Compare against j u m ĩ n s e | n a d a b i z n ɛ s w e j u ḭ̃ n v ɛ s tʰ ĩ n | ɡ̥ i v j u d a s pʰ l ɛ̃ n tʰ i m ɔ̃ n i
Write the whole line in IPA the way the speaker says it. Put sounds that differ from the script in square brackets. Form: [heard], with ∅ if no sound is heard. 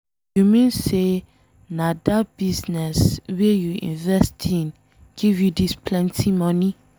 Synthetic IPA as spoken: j u m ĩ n s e | n a d a b i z n ɛ s w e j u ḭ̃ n v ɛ s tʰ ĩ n | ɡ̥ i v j u d [i] s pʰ l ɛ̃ n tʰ i m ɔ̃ n i